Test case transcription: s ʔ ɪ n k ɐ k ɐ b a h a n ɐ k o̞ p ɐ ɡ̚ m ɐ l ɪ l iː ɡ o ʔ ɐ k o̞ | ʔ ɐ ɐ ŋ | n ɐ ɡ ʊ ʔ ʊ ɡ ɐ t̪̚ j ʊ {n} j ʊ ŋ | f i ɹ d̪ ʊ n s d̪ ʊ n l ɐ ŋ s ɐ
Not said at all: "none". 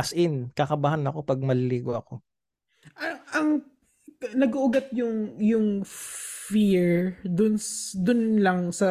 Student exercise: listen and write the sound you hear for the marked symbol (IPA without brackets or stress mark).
ŋ